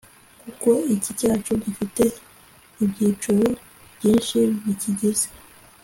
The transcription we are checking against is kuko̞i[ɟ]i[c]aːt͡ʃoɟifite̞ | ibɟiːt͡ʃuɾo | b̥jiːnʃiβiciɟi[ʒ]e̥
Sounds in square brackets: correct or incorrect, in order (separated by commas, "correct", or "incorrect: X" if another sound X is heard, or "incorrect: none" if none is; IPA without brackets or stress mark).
incorrect: c, correct, incorrect: z